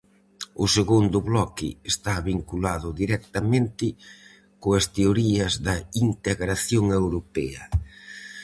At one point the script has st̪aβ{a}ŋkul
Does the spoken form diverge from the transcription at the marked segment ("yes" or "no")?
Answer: yes